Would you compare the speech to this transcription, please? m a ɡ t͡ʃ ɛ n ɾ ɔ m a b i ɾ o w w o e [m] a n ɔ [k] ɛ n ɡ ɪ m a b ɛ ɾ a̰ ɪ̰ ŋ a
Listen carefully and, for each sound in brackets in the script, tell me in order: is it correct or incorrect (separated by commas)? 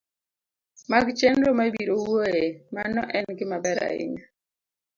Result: correct, incorrect